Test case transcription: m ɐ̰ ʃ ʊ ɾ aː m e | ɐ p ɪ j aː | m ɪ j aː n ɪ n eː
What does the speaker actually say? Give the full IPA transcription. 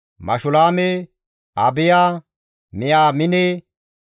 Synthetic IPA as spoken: m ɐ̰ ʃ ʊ l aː m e | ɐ b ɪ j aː | m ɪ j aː m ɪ n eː

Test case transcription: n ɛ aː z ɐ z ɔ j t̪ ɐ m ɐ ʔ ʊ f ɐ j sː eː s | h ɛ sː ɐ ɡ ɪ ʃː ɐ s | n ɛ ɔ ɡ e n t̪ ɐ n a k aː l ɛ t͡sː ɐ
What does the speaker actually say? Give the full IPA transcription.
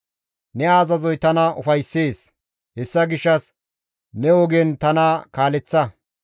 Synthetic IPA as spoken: n ɛ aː z ɐ z ɔ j t̪ ɐ n ɐ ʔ ʊ f ɐ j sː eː s | h ɛ sː ɐ ɡ ɪ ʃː ɐ s | n ɛ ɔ ɡ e n t̪ ɐ n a k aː l ɛ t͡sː ɐ

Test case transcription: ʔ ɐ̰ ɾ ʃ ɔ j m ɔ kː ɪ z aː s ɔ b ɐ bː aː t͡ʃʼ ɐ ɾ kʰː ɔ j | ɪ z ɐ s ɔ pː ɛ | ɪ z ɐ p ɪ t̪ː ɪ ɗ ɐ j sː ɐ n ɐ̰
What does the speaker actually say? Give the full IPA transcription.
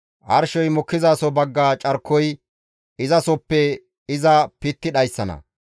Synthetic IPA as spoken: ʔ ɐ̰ ɾ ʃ ɔ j m ɔ kː ɪ z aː s ɔ b ɐ ɡː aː t͡ʃʼ ɐ ɾ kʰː ɔ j | ɪ z ɐ s ɔ pː ɛ | ɪ z ɐ p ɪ t̪ː ɪ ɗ ɐ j sː ɐ n ɐ̰

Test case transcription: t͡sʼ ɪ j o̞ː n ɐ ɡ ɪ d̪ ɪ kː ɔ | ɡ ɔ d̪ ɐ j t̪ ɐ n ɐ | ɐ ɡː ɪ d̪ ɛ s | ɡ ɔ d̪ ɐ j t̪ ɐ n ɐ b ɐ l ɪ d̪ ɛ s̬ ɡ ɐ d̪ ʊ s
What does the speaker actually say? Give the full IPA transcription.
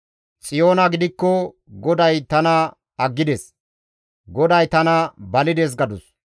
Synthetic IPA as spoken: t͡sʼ ɪ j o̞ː n ɐ ɡ ɪ d̪ ɪ kː ɔ | ɡ ɔ d̪ ɐ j t̪ ɐ n ɐ | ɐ ɡː ɪ d̪ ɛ s | ɡ ɔ d̪ ɐ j t̪ ɐ n ɐ b ɐ l ɪ d̪ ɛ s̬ ɡ ɐ d̪ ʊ s

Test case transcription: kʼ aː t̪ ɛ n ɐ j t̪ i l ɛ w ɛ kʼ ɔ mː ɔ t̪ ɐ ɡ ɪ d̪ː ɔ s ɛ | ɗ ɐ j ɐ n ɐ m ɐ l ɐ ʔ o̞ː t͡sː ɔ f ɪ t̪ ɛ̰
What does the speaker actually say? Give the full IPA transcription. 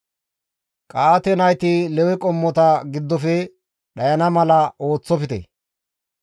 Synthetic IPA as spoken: kʼ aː t̪ ɛ n ɐ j t̪ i l ɛ w ɛ kʼ ɔ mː ɔ t̪ ɐ ɡ ɪ d̪ː ɔ f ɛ | ɗ ɐ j ɐ n ɐ m ɐ l ɐ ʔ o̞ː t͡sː ɔ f ɪ t̪ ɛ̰

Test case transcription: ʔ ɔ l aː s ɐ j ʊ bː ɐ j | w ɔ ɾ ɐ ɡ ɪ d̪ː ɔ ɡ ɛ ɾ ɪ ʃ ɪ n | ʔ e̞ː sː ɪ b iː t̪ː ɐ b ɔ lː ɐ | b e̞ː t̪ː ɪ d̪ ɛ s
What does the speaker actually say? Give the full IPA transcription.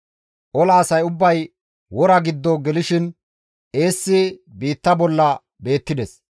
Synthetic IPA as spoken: ʔ ɔ l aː s ɐ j ʊ bː ɐ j | w ɔ ɾ ɐ ɡ ɪ d̪ː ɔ ɡ ɛ l ɪ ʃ ɪ n | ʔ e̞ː sː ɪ b iː t̪ː ɐ b ɔ lː ɐ | b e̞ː t̪ː ɪ d̪ ɛ s

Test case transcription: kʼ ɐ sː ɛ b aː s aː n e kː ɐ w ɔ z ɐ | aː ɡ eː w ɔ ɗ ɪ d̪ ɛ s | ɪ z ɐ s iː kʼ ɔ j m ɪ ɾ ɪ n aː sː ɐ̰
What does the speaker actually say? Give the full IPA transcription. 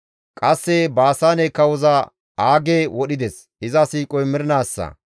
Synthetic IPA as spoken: kʼ ɐ sː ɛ b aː s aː n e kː ɐ w ɔ z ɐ | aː ɡ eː w ɔ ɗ ɪ d̪ ɛ s | ɪ z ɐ s iː kʼ ɔ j m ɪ ɾ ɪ n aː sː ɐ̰

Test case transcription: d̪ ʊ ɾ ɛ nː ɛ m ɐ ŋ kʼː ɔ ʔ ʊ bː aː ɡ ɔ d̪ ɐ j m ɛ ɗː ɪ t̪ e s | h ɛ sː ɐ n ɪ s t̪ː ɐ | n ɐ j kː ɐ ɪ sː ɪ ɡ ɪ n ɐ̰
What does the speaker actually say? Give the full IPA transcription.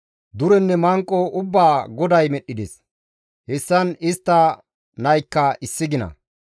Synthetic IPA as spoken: d̪ ʊ ɾ ɛ nː ɛ m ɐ ŋ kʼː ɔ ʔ ʊ bː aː ɡ ɔ d̪ ɐ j m ɛ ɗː ɪ d̪ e s | h ɛ sː ɐ n ɪ s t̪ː ɐ | n ɐ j kː ɐ ɪ sː ɪ ɡ ɪ n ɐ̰

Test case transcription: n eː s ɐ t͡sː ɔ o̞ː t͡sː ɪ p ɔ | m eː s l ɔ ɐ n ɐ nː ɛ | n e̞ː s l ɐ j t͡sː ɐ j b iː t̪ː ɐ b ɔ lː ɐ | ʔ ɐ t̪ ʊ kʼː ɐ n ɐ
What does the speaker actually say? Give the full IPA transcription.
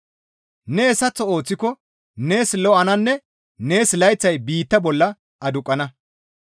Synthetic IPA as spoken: n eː s ɐ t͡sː ɔ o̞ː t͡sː ɪ k ɔ | n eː s l ɔ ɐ n ɐ nː ɛ | n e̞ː s l ɐ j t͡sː ɐ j b iː t̪ː ɐ b ɔ lː ɐ | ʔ ɐ d̪ ʊ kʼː ɐ n ɐ

